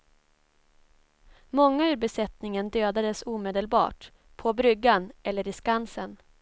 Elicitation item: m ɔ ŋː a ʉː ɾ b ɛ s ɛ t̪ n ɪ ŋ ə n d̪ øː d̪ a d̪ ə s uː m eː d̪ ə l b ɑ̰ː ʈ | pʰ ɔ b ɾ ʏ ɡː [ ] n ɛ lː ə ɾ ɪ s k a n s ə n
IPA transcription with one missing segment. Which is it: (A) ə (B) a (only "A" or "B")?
B